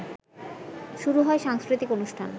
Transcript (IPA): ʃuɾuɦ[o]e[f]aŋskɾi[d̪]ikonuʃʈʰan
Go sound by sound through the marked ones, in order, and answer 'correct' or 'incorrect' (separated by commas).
incorrect, incorrect, incorrect